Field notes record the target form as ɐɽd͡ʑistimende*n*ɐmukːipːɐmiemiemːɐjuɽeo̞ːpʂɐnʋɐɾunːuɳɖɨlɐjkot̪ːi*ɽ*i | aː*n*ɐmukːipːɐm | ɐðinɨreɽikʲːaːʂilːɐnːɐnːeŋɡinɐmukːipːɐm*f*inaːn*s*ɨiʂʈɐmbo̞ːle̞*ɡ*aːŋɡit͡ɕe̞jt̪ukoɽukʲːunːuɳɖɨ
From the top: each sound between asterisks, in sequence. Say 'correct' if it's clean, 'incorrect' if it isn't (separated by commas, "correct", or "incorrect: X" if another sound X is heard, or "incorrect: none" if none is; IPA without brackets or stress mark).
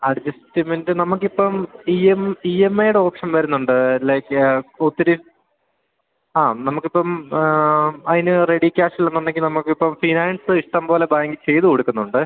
correct, incorrect: ɾ, correct, correct, correct, incorrect: b